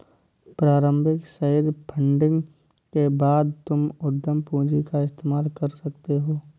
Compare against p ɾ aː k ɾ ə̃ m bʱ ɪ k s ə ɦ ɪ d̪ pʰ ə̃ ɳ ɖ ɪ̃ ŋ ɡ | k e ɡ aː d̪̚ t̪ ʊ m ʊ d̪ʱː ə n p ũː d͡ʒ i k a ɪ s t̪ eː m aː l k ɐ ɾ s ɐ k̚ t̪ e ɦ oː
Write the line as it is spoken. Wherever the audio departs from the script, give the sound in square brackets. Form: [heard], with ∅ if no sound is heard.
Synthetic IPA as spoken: p ɾ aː [∅] ɾ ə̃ m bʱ ɪ k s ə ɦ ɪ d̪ pʰ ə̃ ɳ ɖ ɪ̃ ŋ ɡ | k e [b] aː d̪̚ t̪ ʊ m ʊ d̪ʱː ə [m] p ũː d͡ʒ i k a ɪ s t̪ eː m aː l k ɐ ɾ s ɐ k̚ t̪ e ɦ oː

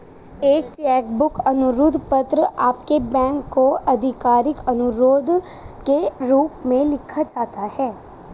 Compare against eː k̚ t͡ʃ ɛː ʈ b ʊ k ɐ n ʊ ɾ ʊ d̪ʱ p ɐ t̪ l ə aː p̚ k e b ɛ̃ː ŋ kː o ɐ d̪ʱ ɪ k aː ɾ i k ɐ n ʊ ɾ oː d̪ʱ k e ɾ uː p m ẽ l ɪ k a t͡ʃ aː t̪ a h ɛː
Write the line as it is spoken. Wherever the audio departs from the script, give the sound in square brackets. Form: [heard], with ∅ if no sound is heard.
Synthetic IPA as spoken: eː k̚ t͡ʃ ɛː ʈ b ʊ k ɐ n ʊ ɾ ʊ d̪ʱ p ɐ t̪ [ɾ] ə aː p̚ k e b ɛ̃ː ŋ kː o ɐ d̪ʱ ɪ k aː ɾ [ɪ] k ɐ n ʊ ɾ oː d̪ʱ k e ɾ uː p m ẽ l ɪ [kʰ] a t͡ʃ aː t̪ a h ɛː

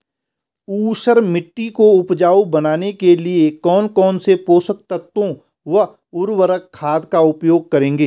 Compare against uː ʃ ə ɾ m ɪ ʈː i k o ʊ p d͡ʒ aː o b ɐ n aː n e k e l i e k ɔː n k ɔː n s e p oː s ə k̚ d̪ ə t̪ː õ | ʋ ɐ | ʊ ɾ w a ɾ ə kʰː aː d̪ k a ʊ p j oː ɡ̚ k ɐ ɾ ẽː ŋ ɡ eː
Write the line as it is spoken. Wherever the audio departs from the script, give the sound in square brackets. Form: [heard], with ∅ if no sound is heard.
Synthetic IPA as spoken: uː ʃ ə ɾ m ɪ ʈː i k o ʊ p d͡ʒ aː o b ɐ n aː n e k e l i e k ɔː n k ɔː n s e p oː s ə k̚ [t̪] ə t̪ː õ | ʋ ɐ | ʊ ɾ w [ə] ɾ ə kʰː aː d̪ k a ʊ p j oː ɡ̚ k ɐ ɾ ẽː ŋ ɡ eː

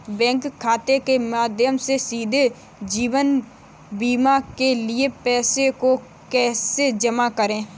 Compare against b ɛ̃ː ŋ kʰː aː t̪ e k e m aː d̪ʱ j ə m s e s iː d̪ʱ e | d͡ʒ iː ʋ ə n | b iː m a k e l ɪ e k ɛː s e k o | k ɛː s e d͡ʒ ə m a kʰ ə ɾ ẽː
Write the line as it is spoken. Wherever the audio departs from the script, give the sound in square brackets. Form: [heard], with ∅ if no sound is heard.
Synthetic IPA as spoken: b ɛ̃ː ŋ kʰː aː t̪ e k e m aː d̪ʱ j ə m s e s iː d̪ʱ e | d͡ʒ iː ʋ ə n | b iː m a k e l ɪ e [p] ɛː s e k o | k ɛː s e d͡ʒ ə m a [k] ə ɾ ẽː

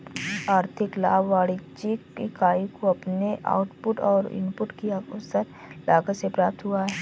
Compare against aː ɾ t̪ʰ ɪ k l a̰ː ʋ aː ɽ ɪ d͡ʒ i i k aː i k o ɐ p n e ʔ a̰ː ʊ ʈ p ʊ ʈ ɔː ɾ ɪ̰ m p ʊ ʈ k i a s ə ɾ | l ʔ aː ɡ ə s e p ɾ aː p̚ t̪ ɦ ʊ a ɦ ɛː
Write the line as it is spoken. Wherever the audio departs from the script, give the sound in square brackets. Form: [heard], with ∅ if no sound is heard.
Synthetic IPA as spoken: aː ɾ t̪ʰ ɪ k l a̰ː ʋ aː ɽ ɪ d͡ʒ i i k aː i k o ɐ p n e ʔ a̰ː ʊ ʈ p ʊ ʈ ɔː ɾ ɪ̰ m p ʊ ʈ k i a s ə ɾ | l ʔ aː ɡ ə s e p ɾ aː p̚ t̪ ɦ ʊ a ɦ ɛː

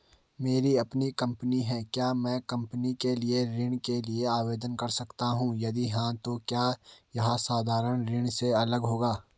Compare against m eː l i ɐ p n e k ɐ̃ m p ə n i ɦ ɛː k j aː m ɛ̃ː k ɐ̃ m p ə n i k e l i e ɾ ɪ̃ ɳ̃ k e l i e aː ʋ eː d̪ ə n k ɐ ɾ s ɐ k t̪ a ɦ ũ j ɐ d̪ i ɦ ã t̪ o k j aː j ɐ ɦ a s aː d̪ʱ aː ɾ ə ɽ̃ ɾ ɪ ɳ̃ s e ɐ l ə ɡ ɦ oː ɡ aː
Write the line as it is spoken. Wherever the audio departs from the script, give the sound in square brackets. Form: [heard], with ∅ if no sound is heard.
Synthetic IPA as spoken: m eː [ɾ] i ɐ p n [i] k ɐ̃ m p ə n i ɦ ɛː k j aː m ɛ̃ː k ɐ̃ m p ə n i k e l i e ɾ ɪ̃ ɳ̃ k e l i e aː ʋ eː d̪ ə n k ɐ ɾ s ɐ k t̪ a ɦ ũ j ɐ d̪ i ɦ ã t̪ o k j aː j ɐ ɦ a s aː d̪ʱ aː ɾ ə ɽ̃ ɾ ɪ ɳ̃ s e ɐ l ə ɡ ɦ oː ɡ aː

